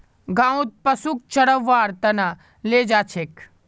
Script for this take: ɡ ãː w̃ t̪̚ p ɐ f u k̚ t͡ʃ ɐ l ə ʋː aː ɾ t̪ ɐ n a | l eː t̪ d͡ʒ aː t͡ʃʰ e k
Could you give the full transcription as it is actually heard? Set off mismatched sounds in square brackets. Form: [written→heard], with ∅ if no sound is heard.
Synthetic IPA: ɡ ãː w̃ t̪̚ p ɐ [f→s] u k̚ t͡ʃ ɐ [l→ɽ] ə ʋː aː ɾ t̪ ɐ n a | l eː [t̪→∅] d͡ʒ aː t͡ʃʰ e k